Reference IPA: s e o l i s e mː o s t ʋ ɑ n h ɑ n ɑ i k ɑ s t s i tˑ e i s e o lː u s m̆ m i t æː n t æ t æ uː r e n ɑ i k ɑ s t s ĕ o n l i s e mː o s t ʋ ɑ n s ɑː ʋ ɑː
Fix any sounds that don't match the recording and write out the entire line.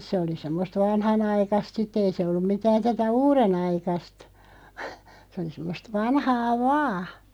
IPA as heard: s e o l i s e mː o s t ʋ ɑ n h ɑ n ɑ i k ɑ s t s i tˑ e i s e o lː u m̆ m i t æː n t æ t æ uː r e n ɑ i k ɑ s t s ĕ o l i s e mː o s t ʋ ɑ n h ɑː ʋ ɑː